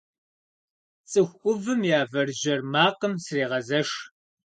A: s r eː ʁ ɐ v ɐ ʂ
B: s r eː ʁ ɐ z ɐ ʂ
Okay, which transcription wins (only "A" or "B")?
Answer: B